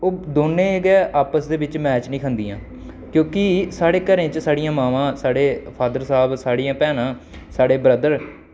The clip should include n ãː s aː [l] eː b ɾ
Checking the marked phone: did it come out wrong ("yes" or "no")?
yes